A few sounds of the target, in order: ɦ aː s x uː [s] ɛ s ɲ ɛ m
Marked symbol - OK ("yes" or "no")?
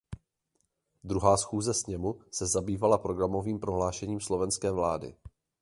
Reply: no